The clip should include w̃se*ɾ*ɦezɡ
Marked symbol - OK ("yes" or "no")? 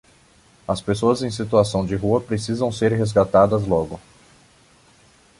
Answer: yes